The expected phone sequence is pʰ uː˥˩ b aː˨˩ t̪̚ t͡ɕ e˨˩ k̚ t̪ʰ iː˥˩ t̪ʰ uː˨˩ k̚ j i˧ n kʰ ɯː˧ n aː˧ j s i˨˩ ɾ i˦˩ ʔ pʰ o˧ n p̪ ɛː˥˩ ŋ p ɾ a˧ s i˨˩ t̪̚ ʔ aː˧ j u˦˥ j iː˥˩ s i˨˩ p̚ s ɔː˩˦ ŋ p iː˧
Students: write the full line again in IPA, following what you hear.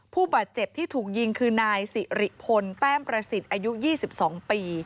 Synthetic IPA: pʰ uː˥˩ b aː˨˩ t̪̚ t͡ɕ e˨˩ p̚ t̪ʰ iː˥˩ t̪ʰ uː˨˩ k̚ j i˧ ŋ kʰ ɯː˧ n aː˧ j s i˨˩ ɾ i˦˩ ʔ pʰ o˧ n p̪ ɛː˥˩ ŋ p ɾ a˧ s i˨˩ t̪̚ ʔ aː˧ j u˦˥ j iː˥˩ s i˨˩ p̚ s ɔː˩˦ ŋ p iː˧